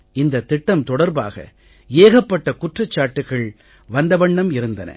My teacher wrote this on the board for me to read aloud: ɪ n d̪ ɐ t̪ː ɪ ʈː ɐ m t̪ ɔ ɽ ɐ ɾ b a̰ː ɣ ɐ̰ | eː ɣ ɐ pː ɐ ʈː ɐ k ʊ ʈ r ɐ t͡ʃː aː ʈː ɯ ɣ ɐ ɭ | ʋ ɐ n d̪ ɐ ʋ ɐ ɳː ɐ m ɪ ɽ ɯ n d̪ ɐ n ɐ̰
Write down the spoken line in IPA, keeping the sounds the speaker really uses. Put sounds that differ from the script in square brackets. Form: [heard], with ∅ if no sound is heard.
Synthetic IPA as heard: ɪ n d̪ ɐ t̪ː ɪ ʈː ɐ m t̪ ɔ ɽ ɐ ɾ b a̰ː ɣ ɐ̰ | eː ɣ ɐ pː ɐ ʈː ɐ k ʊ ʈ r ɐ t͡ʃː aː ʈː ɯ ɣ ɐ ɭ | ʋ ɐ n d̪ ɐ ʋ ɐ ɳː ɐ m ɪ [ɾ] ɯ n d̪ ɐ n ɐ̰